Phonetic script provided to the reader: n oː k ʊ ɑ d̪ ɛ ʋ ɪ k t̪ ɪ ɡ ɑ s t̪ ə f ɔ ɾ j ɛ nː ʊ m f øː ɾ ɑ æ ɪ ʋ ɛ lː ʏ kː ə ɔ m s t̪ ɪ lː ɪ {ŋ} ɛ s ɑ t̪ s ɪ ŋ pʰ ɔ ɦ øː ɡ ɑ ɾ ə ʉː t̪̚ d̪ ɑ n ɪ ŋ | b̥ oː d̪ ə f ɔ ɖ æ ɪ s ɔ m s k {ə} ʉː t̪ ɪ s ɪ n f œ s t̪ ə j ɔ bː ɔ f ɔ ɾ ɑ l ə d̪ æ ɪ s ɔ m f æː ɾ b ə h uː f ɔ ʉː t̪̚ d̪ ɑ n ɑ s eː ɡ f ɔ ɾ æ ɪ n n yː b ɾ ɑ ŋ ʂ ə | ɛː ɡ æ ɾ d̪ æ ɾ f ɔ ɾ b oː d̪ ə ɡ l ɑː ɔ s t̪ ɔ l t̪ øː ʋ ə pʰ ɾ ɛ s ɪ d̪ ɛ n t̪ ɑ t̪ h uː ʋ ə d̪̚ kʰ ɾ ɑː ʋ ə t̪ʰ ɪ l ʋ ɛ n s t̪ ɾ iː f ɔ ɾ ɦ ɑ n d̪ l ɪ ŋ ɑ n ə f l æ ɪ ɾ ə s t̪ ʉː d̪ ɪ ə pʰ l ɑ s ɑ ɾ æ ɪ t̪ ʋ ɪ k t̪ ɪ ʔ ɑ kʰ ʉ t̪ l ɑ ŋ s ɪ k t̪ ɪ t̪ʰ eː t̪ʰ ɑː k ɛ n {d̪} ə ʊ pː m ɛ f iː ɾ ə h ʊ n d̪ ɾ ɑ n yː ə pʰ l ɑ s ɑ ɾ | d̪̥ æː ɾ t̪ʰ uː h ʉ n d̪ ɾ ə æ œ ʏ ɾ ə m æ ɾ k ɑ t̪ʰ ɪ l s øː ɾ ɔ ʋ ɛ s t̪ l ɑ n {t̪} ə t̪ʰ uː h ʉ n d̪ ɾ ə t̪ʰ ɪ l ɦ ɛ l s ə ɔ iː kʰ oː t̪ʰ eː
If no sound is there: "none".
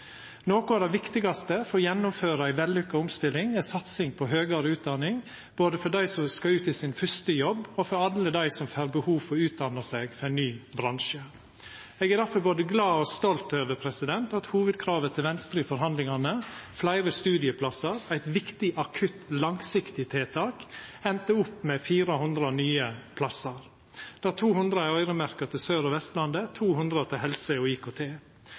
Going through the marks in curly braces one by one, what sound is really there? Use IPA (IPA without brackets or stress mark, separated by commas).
ŋ, ɑ, t̪, d̪